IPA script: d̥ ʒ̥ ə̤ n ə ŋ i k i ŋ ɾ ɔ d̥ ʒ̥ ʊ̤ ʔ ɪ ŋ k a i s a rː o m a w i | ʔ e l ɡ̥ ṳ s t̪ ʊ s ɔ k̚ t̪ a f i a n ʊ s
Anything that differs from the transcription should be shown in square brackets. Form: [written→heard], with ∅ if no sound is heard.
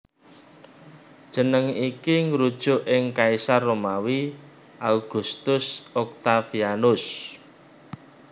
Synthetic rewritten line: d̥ ʒ̥ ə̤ n ə ŋ i k i ŋ ɾ [ɔ→u] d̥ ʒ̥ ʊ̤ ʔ ɪ ŋ k a i s a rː o m a w i | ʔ [e→a] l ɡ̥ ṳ s t̪ ʊ s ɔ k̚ t̪ a f i a n ʊ s